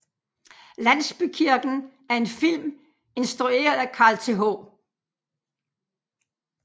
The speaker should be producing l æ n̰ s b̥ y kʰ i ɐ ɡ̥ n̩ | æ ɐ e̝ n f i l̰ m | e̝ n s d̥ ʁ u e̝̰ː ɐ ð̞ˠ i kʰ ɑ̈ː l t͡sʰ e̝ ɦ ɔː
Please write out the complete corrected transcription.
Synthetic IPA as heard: l æ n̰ s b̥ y kʰ i ɐ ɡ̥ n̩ | æ ɐ e̝ n f i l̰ m | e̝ n s d̥ ʁ u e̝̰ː ɐ ð̞ˠ æ kʰ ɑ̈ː l t͡sʰ e̝ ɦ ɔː